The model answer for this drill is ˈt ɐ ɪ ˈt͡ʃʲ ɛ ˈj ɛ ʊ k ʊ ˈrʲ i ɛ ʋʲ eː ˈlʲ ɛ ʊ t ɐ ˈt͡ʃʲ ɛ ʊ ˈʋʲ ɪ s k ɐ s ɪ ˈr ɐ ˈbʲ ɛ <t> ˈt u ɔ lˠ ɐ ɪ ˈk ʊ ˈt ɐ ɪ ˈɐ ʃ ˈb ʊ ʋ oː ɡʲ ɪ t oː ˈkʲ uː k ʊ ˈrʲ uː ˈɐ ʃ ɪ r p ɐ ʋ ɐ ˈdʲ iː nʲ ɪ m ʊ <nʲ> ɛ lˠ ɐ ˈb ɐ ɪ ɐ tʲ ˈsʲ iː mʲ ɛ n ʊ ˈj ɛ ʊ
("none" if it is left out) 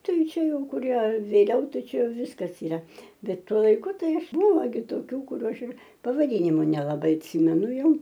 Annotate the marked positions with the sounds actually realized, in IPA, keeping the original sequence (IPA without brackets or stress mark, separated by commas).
t, nʲ